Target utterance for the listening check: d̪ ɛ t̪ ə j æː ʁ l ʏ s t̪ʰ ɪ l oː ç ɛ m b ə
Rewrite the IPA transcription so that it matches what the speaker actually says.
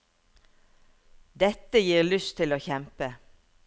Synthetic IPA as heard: d̪ ɛ t̪ ə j iː ʁ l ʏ s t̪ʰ ɪ l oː ç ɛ m p ə